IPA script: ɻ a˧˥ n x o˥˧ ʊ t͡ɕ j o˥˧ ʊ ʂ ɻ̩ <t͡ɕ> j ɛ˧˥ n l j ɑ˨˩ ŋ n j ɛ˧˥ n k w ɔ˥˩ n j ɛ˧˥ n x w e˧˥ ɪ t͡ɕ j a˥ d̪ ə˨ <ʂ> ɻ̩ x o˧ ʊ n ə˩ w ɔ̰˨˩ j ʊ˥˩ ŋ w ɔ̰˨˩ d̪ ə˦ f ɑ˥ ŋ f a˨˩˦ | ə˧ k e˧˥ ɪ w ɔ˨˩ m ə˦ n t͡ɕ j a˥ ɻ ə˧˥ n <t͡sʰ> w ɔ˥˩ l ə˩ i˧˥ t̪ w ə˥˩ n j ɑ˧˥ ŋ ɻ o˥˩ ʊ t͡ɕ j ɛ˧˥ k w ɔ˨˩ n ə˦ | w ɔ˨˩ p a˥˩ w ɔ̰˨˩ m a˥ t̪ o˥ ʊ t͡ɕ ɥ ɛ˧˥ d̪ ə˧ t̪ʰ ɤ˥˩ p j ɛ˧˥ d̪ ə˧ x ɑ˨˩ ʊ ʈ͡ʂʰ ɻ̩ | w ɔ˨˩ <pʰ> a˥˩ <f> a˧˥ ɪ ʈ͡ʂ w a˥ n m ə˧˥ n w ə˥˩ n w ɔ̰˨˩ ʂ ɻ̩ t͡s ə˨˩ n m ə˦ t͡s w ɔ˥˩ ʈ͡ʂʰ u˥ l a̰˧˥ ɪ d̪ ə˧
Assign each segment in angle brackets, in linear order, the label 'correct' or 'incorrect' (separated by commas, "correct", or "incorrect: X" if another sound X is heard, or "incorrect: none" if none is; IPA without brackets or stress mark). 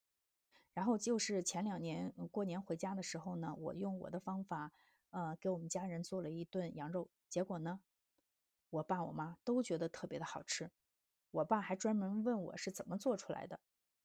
incorrect: t͡ɕʰ, correct, incorrect: t͡s, incorrect: p, incorrect: x